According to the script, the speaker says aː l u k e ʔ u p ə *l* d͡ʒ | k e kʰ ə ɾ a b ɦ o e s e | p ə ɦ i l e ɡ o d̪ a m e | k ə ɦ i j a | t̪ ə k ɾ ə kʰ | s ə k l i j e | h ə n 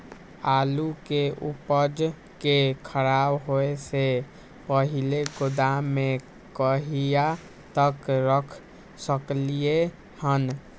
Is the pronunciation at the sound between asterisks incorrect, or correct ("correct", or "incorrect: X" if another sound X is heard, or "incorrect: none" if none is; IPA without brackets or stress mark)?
incorrect: none